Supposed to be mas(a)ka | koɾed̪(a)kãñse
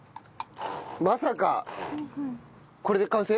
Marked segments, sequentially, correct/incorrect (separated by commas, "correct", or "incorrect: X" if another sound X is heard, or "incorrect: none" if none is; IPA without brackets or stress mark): correct, incorrect: e